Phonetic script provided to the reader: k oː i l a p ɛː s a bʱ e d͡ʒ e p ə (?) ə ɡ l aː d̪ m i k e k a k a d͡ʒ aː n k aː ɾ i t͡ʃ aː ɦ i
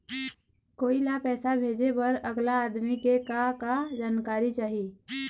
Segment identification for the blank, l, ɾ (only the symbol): ɾ